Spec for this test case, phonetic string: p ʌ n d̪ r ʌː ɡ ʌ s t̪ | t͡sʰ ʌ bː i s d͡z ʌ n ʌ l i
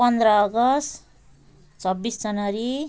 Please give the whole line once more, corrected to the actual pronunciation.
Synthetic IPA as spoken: p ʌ n d̪ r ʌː ɡ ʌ s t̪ | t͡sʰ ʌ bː i s d͡z ʌ n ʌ ɾ i